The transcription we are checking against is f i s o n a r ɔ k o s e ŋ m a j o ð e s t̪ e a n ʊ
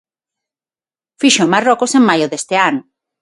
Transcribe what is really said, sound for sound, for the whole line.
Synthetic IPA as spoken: f i ʃ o m a r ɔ k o s e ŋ m a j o ð e s t̪ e a n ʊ